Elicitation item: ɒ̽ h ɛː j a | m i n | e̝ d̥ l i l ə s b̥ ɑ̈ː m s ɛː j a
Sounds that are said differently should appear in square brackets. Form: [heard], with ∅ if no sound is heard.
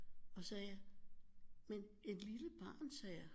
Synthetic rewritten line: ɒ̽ [s] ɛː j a | m [e] n | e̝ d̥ l i l ə [∅] b̥ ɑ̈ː [n] s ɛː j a